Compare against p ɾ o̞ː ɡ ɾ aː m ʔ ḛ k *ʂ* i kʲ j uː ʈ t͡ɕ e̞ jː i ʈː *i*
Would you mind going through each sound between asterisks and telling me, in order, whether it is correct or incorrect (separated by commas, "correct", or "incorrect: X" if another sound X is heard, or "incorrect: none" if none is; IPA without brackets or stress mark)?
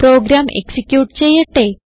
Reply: incorrect: s, incorrect: e